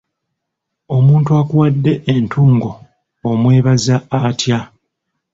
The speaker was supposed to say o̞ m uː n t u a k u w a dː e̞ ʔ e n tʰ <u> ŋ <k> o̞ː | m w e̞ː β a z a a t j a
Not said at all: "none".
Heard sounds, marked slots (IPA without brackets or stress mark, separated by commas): uː, ɡ